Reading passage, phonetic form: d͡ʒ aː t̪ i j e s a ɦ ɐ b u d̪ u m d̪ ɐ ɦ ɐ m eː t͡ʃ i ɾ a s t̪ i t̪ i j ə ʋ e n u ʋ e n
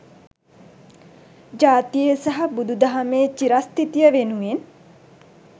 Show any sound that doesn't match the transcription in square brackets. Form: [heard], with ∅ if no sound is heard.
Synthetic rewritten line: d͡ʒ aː t̪ i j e s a ɦ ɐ b u d̪ u [∅] d̪ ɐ ɦ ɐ m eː t͡ʃ i ɾ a s t̪ i t̪ i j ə ʋ e n u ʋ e n